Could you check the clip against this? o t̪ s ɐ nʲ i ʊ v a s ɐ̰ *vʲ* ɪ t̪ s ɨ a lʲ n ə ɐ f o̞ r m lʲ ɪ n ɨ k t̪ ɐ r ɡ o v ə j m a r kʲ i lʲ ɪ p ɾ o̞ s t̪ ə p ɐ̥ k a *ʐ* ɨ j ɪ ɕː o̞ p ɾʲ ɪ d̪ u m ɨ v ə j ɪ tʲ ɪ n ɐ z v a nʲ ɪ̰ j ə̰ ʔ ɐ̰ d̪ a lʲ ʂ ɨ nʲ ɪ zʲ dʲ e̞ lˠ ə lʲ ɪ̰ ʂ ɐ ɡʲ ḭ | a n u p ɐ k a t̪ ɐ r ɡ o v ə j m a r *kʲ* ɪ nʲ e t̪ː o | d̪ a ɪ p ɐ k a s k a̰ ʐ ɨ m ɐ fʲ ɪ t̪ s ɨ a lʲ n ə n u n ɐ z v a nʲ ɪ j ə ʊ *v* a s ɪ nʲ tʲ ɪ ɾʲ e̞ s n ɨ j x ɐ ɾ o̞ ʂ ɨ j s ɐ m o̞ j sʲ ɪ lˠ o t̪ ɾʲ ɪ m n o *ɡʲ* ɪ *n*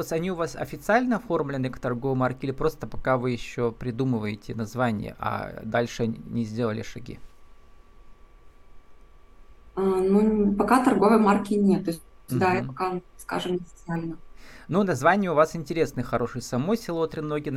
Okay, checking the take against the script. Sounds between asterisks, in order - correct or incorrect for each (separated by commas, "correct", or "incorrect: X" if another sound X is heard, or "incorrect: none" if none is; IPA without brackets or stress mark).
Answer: incorrect: fʲ, incorrect: v, correct, correct, correct, correct